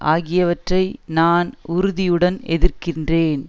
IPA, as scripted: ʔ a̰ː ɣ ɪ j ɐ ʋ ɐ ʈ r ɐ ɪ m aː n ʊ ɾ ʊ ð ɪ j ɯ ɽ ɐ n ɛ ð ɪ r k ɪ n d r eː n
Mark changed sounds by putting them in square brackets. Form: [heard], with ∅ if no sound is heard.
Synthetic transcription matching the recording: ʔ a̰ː ɣ ɪ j ɐ ʋ ɐ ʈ r ɐ ɪ [n] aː n ʊ ɾ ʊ ð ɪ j ɯ ɽ ɐ n ɛ ð ɪ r k ɪ n d r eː n